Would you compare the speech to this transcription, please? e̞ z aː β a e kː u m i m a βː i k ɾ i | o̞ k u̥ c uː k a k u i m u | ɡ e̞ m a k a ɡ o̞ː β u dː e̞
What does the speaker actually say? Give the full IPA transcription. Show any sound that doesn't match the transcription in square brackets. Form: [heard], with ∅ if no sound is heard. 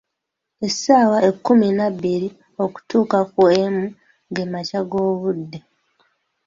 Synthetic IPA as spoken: e̞ [s] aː [w] a e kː u m i [n] a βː i [∅] ɾ i | o̞ k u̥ [t] uː k a k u [e] m u | ɡ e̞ m a [c] a ɡ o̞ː β u dː e̞